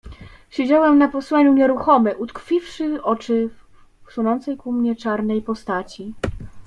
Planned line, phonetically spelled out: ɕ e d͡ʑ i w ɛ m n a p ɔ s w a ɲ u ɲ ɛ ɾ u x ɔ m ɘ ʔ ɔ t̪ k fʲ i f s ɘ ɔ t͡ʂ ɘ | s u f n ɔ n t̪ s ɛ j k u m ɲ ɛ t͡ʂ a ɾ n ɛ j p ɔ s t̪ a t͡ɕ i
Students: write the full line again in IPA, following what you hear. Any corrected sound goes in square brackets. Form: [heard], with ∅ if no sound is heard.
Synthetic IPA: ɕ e d͡ʑ [a] w ɛ m n a p ɔ s w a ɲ u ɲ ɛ ɾ u x ɔ m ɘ ʔ [u] t̪ k fʲ i f [ʂ] ɘ ɔ t͡ʂ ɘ | s u [∅] n ɔ n t̪ s ɛ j k u m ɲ ɛ t͡ʂ a ɾ n ɛ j p ɔ s t̪ a t͡ɕ i